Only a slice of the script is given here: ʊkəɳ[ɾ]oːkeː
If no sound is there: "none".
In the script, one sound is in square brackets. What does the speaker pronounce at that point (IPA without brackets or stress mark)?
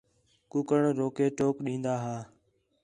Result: ɾ